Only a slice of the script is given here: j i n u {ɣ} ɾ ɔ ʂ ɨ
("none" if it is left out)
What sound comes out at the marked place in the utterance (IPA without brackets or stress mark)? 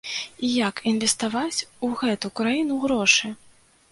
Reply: ɣ